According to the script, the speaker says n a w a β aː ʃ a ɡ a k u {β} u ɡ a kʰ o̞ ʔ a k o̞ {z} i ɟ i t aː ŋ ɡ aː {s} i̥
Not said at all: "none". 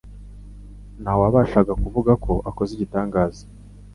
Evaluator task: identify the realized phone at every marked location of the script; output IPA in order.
v, z, z

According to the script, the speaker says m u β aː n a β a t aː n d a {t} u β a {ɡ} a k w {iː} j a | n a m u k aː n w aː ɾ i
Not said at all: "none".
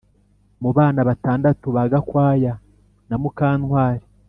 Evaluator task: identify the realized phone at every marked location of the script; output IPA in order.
t, ɡ, aː

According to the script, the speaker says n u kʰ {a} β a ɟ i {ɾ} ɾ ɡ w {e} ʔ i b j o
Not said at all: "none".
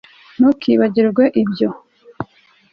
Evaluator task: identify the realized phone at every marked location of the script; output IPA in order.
i, ɾ, e

